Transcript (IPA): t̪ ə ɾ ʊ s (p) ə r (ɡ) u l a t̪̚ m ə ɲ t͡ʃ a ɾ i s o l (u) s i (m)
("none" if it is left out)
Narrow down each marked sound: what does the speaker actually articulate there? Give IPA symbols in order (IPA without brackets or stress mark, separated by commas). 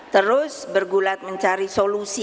b, ɡ, u, none